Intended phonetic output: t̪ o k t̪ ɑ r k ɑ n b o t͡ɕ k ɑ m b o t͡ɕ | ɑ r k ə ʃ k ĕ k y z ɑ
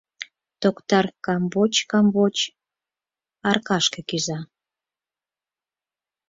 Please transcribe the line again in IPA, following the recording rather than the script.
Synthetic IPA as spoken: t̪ o k t̪ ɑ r k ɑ m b o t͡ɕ k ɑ m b o t͡ɕ | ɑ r k ɑ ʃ k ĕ k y z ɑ